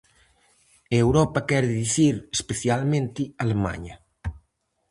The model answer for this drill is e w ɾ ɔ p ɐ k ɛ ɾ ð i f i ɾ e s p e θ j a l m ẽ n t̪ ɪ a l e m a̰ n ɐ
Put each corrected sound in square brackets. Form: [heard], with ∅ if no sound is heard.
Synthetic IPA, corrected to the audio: e w ɾ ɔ p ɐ k ɛ ɾ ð i [θ] i ɾ e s p e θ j a l m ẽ n t̪ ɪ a l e m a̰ [ɲ] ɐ